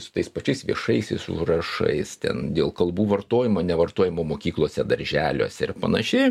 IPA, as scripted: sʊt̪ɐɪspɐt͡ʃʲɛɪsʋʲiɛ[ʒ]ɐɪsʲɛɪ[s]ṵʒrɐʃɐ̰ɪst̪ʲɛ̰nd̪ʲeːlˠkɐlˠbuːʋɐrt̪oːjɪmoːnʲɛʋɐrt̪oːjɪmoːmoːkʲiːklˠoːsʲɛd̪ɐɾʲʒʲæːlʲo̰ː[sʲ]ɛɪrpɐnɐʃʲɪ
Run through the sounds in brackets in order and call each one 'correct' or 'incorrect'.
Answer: incorrect: ʃ, correct, correct

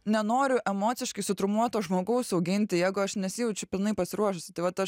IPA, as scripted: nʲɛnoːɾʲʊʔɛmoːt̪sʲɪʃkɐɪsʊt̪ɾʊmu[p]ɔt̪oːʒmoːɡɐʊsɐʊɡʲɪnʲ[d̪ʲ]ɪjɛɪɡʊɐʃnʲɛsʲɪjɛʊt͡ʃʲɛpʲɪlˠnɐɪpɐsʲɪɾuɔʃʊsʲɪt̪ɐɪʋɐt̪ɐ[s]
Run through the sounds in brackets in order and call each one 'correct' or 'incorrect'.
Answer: incorrect: none, incorrect: t̪ʲ, incorrect: ʃ

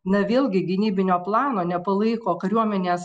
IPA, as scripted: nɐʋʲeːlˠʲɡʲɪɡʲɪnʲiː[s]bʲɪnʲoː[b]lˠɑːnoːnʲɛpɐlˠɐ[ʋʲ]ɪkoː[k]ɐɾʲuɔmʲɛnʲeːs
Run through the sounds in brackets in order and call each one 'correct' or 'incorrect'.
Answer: incorrect: none, incorrect: p, incorrect: none, correct

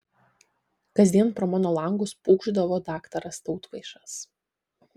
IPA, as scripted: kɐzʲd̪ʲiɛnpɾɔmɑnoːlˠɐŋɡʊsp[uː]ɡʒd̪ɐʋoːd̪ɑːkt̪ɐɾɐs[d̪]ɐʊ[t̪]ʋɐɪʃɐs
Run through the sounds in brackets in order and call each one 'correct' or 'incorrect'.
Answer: correct, incorrect: t̪, correct

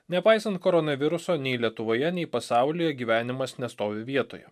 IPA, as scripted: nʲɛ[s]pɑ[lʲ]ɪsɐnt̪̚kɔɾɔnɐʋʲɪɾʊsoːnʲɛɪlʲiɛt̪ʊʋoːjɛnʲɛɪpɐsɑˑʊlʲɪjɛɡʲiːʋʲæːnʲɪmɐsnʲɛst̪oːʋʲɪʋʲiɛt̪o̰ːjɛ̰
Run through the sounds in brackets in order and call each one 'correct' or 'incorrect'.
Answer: incorrect: none, incorrect: none

